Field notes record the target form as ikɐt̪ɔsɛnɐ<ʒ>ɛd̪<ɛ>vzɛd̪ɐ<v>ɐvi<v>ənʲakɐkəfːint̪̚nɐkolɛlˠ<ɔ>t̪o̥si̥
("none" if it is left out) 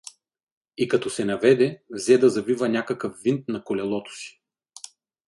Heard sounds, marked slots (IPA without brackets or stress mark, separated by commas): v, ɛ, z, v, ɔ